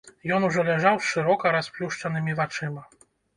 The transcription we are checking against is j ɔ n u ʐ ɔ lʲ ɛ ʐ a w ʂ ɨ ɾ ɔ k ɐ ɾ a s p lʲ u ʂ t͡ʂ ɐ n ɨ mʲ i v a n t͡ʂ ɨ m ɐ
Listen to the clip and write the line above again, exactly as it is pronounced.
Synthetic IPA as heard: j ɔ n u ʐ ɔ lʲ ɛ ʐ a w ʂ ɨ ɾ ɔ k ɐ ɾ a s p lʲ u ʂ t͡ʂ ɐ n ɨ mʲ i v a t͡ʂ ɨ m ɐ